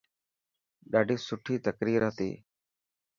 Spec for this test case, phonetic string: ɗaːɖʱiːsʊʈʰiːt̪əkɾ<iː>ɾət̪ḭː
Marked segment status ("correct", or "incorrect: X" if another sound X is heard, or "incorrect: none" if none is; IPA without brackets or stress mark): correct